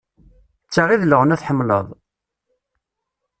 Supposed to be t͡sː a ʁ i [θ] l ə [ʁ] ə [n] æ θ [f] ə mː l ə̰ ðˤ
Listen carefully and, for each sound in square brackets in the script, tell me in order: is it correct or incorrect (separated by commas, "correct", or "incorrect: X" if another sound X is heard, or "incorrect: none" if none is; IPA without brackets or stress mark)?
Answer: incorrect: ð, correct, correct, incorrect: ħ